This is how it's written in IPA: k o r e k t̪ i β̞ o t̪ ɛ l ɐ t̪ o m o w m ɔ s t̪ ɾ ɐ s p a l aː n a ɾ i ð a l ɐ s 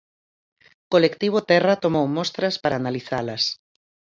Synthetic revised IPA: k o l e k t̪ i β̞ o t̪ ɛ r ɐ t̪ o m o w m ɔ s t̪ ɾ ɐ s p a ɾ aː n a l i θ a l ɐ s